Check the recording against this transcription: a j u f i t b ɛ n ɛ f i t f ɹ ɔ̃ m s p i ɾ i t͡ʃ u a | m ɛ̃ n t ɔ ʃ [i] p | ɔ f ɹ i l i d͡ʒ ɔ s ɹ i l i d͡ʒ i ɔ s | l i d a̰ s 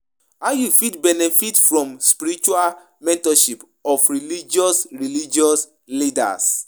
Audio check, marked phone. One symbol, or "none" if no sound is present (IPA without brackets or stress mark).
i